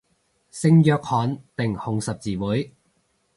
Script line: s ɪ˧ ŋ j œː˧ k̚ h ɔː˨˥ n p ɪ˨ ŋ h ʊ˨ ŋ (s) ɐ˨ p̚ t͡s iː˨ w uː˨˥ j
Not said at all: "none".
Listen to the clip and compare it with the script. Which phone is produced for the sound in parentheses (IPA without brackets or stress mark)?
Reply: s